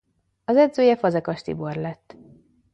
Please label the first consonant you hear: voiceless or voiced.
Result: voiced